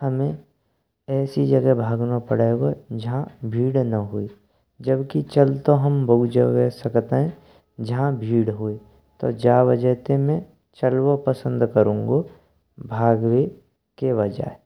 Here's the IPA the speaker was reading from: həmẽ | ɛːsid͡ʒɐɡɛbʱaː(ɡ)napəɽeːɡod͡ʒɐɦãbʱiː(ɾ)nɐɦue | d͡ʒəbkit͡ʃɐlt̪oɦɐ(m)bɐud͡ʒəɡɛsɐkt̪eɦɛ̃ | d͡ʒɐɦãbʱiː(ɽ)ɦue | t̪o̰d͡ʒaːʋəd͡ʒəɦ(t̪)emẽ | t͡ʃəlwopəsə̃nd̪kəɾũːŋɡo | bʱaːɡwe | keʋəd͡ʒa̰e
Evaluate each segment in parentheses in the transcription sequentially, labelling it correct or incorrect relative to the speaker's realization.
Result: correct, incorrect, correct, correct, correct

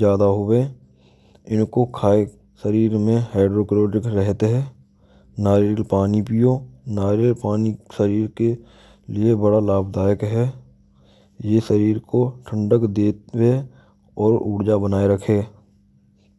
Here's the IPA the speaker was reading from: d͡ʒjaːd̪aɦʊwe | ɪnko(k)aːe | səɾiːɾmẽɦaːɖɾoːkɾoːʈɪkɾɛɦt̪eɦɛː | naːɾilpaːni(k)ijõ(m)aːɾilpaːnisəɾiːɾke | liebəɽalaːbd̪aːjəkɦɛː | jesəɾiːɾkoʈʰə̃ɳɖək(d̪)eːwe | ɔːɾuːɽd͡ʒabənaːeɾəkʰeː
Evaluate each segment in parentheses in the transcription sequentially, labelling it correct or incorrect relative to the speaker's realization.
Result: incorrect, incorrect, incorrect, correct

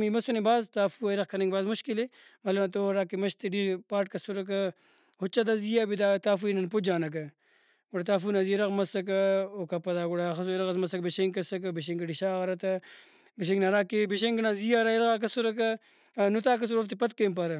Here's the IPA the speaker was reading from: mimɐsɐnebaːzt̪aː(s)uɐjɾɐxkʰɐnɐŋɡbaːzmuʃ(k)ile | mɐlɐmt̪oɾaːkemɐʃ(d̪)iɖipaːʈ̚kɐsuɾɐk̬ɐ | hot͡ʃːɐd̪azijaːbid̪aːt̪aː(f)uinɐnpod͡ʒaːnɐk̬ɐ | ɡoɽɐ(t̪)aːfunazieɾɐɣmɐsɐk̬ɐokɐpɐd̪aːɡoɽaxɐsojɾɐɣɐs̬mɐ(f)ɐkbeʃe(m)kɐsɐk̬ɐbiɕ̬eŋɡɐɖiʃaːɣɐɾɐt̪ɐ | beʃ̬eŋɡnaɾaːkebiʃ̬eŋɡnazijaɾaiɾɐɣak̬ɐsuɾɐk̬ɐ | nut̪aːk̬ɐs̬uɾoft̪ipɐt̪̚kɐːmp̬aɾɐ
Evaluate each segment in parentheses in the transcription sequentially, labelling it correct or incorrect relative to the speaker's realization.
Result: incorrect, correct, incorrect, correct, correct, incorrect, incorrect

